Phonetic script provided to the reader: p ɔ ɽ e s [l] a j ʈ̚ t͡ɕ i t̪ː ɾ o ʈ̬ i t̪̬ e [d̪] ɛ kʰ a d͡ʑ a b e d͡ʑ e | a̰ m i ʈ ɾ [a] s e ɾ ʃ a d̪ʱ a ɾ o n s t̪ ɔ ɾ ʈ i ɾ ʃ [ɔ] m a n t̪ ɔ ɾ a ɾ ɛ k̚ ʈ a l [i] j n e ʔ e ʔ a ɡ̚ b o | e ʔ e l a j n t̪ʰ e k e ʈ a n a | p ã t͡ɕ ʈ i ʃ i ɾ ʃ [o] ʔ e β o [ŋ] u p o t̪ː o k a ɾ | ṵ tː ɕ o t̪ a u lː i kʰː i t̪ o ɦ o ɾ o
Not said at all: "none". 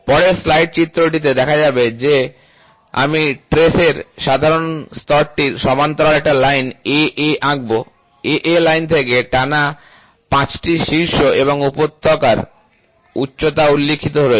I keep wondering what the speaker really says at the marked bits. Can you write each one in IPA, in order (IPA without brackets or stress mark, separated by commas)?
l, d̪, e, ɔ, a, o, ŋ